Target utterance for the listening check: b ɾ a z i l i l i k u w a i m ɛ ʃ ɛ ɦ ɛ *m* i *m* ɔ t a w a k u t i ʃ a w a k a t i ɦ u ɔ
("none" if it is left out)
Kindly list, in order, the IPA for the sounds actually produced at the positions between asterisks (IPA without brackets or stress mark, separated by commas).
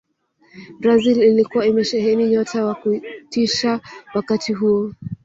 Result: n, ɲ